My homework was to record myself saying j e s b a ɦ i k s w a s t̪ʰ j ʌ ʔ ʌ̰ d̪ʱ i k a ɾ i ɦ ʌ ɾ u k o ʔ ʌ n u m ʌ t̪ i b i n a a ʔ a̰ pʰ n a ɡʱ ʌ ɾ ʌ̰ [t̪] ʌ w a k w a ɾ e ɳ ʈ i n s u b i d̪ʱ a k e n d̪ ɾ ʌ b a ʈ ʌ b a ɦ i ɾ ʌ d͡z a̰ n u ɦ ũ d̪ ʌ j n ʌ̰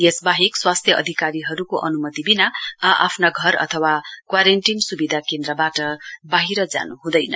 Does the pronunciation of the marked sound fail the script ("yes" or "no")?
yes